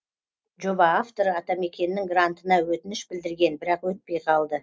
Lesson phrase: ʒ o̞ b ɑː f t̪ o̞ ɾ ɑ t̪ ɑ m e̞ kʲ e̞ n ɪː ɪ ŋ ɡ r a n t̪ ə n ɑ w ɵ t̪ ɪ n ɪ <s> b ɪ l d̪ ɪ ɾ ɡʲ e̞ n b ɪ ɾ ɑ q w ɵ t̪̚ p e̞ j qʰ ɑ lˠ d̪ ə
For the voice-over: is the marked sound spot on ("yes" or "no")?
no